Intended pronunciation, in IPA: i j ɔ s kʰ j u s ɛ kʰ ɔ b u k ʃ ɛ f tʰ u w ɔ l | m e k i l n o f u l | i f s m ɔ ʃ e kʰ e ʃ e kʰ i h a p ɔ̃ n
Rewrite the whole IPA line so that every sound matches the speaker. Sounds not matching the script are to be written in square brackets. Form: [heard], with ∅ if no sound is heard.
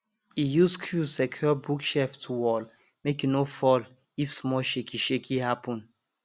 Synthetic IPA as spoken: i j [u] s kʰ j u s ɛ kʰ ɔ b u k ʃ ɛ f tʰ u w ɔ l | m e k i [∅] n o f [ɔ] l | i f s m ɔ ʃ e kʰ [i] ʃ e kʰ i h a p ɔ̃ n